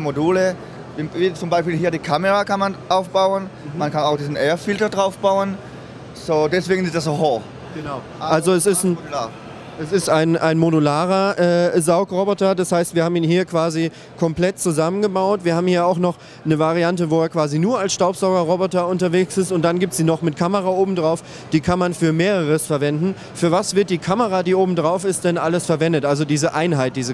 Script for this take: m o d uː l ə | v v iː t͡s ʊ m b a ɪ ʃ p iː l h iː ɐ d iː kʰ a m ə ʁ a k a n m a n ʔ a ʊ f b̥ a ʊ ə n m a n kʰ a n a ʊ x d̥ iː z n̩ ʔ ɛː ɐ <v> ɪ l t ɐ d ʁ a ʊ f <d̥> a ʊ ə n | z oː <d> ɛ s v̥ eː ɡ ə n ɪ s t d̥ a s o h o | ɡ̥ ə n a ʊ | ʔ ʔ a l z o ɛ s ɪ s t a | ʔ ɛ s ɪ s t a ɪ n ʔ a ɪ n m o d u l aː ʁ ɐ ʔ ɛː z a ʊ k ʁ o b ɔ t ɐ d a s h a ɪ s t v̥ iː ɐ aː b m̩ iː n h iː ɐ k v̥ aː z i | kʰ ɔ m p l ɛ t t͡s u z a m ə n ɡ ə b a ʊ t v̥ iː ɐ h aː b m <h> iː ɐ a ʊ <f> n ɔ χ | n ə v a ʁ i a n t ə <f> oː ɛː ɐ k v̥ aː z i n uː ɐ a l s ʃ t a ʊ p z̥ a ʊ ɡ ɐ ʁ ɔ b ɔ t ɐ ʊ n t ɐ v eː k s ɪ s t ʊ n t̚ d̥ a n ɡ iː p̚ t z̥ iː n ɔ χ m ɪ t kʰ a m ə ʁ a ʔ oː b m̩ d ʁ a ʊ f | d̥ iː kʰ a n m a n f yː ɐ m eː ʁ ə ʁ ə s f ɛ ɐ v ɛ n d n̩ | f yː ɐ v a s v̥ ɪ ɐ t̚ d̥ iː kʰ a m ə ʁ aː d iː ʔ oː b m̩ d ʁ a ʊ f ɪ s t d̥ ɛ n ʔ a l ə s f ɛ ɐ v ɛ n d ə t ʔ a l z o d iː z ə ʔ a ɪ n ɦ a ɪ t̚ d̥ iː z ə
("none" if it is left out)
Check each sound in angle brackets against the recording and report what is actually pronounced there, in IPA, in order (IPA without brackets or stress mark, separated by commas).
f, b̥, d, h, x, v